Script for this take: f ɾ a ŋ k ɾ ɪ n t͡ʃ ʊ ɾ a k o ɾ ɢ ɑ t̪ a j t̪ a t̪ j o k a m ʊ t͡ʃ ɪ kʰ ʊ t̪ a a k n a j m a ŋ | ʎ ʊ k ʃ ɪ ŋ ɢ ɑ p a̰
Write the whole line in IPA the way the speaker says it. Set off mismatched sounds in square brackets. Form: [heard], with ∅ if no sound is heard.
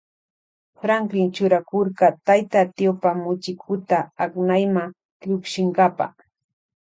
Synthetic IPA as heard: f ɾ a ŋ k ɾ ɪ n t͡ʃ ʊ ɾ a k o ɾ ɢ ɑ t̪ a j t̪ a t̪ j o [p] a m ʊ t͡ʃ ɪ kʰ ʊ t̪ a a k n a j m a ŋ | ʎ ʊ k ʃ ɪ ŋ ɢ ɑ p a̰